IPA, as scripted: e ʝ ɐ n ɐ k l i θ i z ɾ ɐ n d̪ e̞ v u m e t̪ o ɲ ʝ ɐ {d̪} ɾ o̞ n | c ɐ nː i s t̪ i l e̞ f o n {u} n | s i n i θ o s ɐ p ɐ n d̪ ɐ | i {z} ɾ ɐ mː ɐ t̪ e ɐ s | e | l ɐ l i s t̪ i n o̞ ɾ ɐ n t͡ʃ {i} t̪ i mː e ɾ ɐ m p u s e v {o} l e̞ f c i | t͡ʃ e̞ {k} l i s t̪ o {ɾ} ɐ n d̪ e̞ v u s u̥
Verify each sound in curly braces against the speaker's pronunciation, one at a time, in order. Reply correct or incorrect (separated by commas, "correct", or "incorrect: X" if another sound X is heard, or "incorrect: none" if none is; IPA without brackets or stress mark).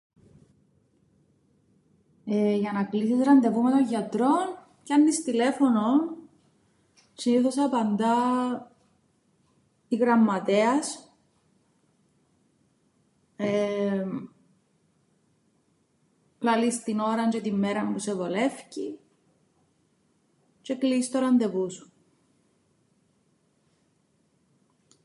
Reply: incorrect: t̪, incorrect: o, incorrect: ɣ, incorrect: e, correct, correct, correct